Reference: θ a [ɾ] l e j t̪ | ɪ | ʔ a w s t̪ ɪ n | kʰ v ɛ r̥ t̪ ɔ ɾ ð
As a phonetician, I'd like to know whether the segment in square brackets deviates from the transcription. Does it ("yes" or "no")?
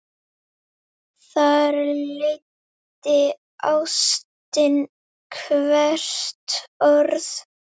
no